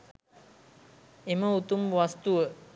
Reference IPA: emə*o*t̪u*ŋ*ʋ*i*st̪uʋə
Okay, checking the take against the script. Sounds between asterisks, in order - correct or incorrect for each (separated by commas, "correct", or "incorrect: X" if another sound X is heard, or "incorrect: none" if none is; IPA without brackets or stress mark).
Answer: incorrect: u, incorrect: m, incorrect: a